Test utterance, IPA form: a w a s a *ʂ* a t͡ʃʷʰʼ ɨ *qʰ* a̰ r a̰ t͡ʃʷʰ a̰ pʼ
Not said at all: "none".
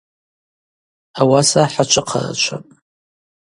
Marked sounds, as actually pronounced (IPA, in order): ħ, qʰ

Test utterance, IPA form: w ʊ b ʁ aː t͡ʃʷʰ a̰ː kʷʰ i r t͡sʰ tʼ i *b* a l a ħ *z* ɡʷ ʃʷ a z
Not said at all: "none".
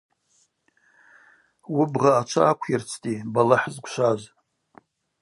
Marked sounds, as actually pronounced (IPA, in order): b, z

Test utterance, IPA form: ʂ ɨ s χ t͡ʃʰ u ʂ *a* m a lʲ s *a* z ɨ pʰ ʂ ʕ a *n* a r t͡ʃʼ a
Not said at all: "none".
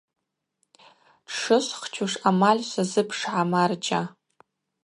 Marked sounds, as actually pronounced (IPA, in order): a, a, m

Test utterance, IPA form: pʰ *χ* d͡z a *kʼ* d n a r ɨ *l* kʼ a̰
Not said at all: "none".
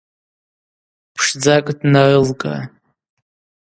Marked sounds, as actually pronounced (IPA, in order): ʂ, kʼ, l

